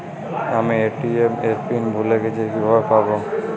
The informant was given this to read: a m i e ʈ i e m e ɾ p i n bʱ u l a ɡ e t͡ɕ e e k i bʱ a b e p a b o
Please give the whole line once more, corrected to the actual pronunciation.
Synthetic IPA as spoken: a m i e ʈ i e m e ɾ p i n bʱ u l e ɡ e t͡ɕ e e k i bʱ a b e p a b o